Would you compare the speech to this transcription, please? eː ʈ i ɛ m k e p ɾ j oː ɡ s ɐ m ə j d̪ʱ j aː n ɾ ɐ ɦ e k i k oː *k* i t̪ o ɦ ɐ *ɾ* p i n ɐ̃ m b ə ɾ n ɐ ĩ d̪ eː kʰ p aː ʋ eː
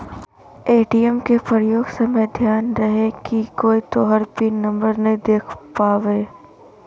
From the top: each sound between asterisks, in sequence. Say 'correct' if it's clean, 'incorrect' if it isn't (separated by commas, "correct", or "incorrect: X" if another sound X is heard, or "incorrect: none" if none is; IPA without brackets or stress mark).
incorrect: none, correct